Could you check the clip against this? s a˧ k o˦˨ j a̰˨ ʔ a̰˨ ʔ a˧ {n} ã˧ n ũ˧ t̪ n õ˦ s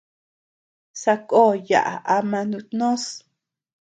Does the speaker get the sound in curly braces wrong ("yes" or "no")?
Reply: yes